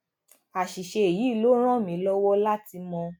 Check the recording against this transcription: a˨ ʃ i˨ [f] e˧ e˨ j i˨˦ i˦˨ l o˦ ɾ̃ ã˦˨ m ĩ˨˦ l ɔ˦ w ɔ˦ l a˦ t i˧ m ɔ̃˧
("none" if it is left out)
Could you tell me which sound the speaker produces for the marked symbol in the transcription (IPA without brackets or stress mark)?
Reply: ʃ